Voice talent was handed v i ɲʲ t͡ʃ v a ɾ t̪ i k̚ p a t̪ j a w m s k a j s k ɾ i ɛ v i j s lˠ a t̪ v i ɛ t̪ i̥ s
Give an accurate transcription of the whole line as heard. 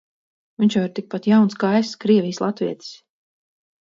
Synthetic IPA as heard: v i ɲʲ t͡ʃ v a ɾ t̪ i k̚ p a t̪ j a w n s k a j s k ɾ i ɛ v i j s lˠ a t̪ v i ɛ t̪ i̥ s